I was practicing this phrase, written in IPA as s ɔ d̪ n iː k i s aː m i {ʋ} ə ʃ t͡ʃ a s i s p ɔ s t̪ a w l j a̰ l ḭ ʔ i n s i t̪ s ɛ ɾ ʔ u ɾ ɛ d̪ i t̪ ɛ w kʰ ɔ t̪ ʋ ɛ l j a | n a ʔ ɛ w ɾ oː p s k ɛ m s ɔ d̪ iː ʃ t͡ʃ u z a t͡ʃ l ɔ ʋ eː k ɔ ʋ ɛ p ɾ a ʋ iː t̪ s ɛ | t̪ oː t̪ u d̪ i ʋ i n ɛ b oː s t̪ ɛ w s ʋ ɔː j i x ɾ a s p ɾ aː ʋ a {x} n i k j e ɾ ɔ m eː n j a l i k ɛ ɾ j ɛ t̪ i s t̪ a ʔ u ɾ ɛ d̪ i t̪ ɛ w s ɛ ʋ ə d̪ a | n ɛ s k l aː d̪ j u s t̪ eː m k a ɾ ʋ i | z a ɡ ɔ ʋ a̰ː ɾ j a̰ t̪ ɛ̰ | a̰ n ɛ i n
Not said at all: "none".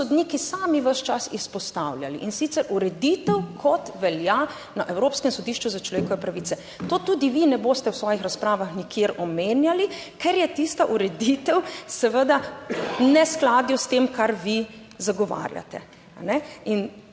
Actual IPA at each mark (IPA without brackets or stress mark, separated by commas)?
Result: ʋ, x